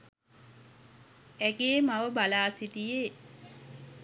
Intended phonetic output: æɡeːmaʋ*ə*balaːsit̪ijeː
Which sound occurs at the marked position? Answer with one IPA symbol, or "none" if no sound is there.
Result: ə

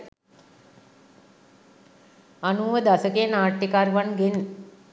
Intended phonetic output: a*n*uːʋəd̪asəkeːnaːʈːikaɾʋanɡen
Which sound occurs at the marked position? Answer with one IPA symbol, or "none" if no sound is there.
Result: n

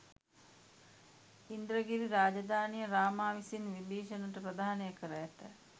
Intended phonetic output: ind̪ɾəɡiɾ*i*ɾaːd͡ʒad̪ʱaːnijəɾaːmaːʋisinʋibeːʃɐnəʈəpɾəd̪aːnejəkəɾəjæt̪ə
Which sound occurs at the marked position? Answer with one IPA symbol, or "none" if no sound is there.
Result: i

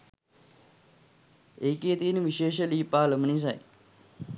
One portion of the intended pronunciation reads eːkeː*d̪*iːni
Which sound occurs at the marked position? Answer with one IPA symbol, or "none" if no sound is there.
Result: t̪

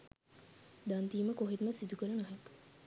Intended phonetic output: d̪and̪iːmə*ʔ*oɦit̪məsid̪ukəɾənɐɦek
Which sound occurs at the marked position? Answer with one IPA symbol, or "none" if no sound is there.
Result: k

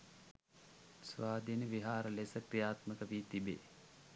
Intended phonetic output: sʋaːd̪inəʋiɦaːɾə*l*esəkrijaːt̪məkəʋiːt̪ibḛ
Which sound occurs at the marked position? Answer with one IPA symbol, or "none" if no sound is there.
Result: l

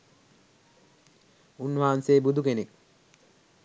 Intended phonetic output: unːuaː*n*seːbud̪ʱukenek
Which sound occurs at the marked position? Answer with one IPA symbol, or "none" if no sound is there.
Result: n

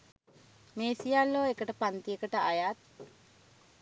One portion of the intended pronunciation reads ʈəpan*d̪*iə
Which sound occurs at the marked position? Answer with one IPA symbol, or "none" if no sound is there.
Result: t̪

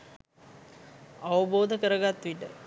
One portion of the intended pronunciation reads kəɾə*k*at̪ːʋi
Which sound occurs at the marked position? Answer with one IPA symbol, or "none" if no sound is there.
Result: ɡ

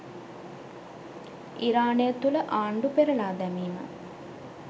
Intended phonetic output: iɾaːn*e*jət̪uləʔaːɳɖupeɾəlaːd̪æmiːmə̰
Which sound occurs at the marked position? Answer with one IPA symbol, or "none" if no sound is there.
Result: e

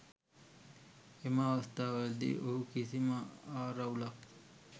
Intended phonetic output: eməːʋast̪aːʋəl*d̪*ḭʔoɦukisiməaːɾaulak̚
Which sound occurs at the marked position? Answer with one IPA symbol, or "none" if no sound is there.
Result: d̪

